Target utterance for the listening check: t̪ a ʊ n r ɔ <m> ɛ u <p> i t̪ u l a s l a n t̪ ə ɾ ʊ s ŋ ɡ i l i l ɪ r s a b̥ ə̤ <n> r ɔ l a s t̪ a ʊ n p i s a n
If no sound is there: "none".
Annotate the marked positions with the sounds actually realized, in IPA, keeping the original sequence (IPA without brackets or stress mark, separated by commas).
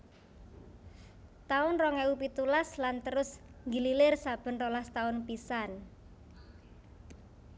ŋ, p, n